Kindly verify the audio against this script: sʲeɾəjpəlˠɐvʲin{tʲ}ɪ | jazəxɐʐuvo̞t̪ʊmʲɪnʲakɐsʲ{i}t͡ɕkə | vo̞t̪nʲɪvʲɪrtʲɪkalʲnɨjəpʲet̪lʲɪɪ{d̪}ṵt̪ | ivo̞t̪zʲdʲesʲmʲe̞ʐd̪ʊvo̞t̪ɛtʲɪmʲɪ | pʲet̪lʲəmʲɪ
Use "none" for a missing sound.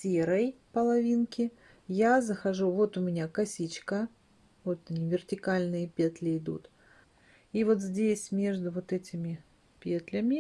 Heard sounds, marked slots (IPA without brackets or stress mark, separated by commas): kʲ, i, d̪